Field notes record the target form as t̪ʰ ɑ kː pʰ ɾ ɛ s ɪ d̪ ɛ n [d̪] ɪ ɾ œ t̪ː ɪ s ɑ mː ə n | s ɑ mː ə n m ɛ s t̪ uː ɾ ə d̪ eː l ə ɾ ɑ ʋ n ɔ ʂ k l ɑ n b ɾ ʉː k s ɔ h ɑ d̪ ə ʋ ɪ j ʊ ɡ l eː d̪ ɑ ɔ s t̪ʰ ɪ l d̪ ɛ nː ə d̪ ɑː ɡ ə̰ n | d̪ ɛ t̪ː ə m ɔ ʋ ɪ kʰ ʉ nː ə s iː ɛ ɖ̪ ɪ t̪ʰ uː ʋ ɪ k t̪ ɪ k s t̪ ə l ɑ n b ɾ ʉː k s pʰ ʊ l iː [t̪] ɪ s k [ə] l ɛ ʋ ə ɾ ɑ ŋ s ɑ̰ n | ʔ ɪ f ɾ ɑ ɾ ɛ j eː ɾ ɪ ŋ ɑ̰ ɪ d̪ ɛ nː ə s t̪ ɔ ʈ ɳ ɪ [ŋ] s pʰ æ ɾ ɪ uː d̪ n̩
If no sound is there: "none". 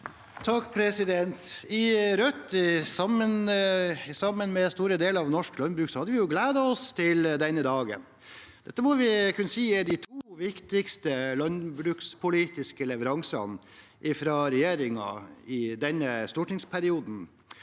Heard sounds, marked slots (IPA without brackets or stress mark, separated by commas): t̪, t̪, ə, ŋ